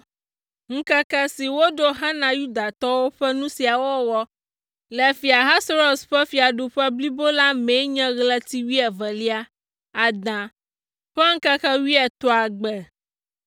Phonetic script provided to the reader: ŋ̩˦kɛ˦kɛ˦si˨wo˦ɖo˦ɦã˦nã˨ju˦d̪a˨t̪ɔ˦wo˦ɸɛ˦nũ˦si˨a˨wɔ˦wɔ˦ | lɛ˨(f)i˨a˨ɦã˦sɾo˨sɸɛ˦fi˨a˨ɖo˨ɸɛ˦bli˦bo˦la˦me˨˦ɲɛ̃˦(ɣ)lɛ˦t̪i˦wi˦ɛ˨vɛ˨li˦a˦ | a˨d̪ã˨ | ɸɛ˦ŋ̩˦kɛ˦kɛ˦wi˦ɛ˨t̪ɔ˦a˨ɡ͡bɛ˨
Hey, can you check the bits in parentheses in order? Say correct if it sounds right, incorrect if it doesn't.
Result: correct, correct

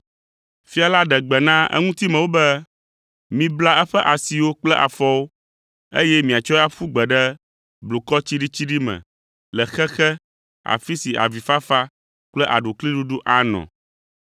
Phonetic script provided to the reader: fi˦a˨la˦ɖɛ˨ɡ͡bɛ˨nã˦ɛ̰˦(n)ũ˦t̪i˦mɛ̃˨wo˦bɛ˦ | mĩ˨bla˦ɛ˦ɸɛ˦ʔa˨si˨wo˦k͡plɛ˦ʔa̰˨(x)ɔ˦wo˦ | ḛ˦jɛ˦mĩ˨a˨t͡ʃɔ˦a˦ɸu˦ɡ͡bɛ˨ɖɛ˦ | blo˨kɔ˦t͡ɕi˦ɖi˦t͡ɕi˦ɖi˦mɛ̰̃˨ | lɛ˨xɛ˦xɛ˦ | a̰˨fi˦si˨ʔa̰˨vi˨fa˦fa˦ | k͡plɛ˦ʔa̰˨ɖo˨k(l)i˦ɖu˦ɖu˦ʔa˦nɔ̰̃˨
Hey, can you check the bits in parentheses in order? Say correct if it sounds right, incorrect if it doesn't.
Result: incorrect: ŋ, incorrect: f, correct

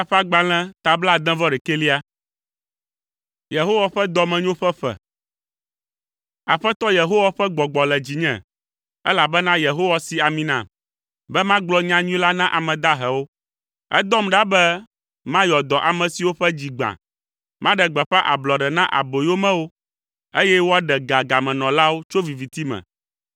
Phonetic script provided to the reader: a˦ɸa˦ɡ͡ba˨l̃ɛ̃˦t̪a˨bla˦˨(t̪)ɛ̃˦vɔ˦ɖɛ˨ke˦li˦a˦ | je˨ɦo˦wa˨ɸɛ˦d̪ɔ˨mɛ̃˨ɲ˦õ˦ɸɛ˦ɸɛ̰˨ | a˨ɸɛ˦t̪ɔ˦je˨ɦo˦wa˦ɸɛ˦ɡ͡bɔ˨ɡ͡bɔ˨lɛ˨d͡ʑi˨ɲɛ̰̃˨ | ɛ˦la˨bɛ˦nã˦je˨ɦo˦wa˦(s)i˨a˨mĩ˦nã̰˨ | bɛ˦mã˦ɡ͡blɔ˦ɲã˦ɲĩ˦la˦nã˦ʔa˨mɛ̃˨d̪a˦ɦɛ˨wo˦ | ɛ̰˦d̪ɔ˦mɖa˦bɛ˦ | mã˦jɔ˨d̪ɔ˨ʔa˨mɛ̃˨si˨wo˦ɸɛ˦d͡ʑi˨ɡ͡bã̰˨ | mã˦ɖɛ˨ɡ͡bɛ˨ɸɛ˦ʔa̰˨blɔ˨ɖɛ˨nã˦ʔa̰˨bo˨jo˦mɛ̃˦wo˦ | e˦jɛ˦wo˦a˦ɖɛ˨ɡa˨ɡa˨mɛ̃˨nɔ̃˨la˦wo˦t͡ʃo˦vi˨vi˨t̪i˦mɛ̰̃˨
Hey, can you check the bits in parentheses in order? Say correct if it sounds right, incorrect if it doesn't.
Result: incorrect: d̪, correct

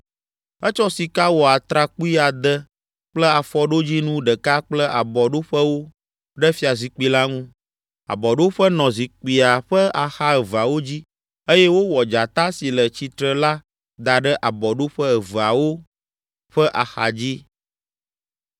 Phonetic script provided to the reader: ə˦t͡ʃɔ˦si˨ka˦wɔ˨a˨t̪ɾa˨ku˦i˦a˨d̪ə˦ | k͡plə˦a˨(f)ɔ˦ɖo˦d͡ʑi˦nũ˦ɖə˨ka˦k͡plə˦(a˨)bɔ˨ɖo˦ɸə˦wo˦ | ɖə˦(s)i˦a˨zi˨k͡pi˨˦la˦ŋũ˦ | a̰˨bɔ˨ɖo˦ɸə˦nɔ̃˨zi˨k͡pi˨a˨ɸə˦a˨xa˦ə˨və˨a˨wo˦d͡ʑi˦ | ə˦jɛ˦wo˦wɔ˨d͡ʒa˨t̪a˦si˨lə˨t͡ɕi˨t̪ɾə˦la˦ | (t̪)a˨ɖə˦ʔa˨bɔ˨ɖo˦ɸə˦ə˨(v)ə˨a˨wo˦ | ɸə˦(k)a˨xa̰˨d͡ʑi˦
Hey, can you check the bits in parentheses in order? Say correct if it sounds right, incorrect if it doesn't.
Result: correct, correct, incorrect: f, incorrect: d̪, correct, incorrect: ʔ

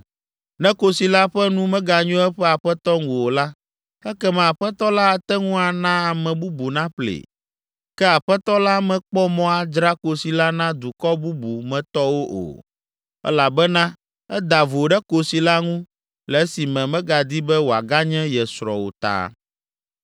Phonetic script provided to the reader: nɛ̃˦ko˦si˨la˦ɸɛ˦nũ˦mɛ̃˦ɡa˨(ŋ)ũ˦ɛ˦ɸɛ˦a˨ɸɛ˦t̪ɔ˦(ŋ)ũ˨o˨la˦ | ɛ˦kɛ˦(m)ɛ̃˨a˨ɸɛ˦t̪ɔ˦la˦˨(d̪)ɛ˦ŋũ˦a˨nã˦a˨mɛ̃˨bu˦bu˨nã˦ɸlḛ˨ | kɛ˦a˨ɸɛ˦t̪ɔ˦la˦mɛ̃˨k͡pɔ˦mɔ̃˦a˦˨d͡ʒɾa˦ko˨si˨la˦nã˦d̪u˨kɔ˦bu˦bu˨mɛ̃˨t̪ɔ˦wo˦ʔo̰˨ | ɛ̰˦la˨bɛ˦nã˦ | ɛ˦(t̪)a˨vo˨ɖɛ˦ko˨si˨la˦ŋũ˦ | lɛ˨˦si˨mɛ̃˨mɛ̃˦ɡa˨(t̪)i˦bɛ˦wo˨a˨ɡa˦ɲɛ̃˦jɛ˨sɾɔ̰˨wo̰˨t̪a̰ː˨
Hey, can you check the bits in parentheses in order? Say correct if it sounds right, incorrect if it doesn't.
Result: incorrect: ɲ, correct, correct, incorrect: t̪, incorrect: d̪, incorrect: d̪

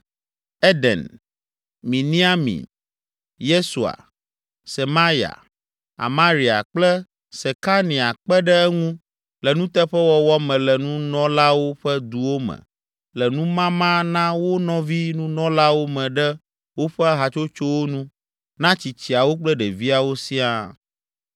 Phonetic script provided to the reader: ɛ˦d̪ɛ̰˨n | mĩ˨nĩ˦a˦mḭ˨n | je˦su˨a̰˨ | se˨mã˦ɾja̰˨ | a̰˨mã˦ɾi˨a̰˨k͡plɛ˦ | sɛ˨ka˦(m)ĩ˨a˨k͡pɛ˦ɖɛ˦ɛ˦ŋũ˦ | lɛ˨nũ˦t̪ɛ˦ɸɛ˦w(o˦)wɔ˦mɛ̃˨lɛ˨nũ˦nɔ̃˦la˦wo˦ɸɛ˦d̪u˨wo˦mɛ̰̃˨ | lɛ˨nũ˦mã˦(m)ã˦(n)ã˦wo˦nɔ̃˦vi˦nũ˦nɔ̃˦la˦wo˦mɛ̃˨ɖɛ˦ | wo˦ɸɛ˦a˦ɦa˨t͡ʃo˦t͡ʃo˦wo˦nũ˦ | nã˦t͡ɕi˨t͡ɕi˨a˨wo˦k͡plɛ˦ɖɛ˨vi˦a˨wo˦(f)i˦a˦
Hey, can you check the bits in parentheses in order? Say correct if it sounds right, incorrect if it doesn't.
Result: incorrect: n, incorrect: ɔ˦, correct, correct, incorrect: s

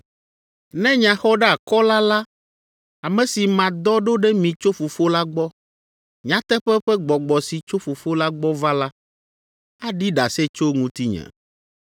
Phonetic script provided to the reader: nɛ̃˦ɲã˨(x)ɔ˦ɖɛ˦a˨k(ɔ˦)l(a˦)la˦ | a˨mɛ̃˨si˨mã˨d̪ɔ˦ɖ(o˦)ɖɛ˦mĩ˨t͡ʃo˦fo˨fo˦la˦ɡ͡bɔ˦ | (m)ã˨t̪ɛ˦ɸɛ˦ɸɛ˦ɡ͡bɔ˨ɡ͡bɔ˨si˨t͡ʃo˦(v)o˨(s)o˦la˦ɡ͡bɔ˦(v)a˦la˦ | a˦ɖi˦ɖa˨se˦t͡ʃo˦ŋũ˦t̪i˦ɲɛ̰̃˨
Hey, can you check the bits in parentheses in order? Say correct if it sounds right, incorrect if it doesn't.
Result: correct, correct, correct, correct, incorrect: ɲ, incorrect: f, incorrect: f, correct

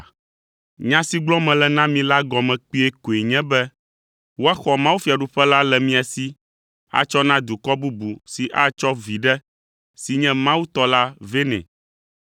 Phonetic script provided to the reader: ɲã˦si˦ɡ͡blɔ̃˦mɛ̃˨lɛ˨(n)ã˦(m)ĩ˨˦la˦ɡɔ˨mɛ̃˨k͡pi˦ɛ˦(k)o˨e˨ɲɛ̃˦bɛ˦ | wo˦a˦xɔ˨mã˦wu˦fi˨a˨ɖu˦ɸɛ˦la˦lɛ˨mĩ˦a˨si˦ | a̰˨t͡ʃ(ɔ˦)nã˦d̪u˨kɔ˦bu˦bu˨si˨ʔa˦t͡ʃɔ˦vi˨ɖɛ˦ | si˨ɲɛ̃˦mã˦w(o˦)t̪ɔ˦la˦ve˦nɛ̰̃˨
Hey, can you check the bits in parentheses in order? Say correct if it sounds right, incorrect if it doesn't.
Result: correct, correct, correct, correct, incorrect: u˦

